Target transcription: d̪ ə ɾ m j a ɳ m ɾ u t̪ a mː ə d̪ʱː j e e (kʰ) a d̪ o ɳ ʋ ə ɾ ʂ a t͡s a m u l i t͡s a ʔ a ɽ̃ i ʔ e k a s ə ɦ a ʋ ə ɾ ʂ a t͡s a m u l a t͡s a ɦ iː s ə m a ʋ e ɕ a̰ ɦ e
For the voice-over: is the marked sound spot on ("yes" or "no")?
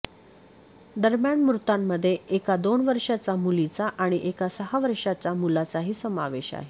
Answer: no